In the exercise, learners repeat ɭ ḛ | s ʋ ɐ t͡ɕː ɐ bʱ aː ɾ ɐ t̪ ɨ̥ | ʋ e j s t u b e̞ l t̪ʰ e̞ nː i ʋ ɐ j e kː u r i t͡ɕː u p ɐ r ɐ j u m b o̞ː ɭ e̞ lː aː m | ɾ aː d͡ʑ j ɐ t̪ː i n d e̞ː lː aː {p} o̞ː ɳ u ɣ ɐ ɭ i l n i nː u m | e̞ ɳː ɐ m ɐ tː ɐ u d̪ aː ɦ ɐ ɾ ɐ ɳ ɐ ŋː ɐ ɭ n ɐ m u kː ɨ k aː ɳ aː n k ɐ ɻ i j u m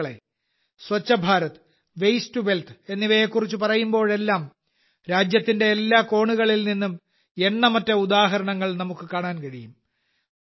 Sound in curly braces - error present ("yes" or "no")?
yes